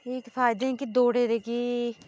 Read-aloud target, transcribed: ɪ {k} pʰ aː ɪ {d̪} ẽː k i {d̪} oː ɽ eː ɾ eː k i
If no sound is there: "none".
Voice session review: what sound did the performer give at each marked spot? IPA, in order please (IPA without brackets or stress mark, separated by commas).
k, d̪, d̪